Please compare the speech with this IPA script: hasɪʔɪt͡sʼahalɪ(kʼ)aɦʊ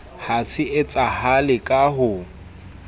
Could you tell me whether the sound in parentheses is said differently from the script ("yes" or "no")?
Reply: no